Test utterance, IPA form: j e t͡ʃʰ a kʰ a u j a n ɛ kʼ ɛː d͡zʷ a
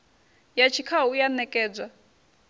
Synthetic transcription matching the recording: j a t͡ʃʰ i kʰ a u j a n ɛ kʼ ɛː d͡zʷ a